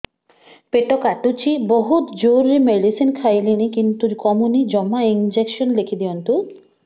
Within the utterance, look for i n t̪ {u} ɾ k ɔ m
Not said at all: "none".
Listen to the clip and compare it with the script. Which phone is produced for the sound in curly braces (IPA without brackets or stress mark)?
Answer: u